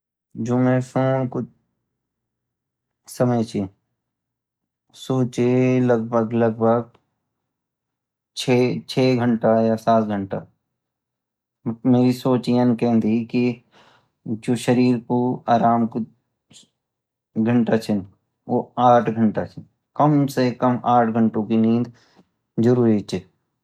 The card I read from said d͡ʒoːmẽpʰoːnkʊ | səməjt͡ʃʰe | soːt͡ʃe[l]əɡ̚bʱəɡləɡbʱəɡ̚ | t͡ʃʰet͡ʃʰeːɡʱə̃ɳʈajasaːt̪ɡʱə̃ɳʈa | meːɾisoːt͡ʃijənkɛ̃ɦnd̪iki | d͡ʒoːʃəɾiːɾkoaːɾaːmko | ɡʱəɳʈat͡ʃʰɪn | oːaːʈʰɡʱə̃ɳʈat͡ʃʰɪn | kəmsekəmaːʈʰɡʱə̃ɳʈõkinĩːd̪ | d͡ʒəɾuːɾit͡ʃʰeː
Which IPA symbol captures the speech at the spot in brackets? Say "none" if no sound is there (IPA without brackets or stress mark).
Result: l